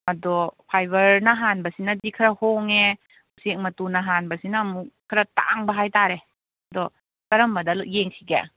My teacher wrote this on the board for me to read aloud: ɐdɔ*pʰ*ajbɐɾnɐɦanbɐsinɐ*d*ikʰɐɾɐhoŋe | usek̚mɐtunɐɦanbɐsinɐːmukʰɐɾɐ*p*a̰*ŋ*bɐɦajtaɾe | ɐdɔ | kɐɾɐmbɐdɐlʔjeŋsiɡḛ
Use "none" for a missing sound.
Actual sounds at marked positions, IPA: pʰ, d, t, ŋ

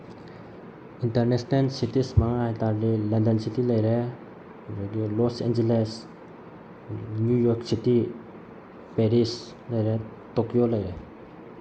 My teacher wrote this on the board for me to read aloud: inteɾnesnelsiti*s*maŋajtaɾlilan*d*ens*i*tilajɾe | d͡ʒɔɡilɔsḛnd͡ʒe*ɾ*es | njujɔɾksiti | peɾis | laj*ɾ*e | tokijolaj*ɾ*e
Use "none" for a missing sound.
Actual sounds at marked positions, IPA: s, d, i, l, ɾ, ɾ

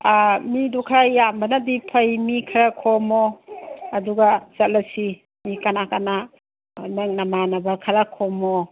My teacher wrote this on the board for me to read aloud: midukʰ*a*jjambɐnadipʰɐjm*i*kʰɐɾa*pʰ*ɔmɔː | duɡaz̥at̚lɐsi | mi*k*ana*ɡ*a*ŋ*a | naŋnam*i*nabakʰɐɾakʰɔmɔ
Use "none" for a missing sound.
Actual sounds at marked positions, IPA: a, i, kʰ, k, k, n, a

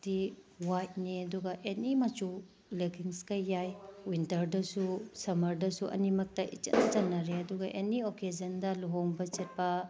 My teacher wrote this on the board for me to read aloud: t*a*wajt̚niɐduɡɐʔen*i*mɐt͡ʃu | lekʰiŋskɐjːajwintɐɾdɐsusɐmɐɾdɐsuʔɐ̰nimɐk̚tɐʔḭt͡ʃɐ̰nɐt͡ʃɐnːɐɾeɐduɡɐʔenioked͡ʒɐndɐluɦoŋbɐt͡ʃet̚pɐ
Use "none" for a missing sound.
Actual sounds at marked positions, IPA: i, i

